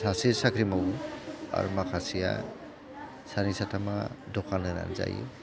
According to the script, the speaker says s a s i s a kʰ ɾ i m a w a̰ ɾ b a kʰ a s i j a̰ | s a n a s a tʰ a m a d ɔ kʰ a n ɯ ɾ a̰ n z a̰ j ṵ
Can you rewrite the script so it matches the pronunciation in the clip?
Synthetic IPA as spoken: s a s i s a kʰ ɾ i m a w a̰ ɾ m a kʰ a s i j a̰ | s a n i s a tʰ a m a d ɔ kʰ a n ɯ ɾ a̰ n z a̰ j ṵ